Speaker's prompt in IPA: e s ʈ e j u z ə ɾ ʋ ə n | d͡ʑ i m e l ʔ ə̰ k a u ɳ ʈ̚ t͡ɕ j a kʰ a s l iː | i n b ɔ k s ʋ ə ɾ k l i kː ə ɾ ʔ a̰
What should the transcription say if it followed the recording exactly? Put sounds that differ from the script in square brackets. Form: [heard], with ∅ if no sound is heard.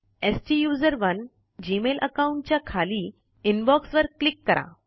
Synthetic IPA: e s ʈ [i] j u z ə ɾ ʋ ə n | d͡ʑ i m e l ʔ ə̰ k a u ɳ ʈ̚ t͡ɕ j a kʰ a [∅] l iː | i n b ɔ k s ʋ ə ɾ k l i kː ə ɾ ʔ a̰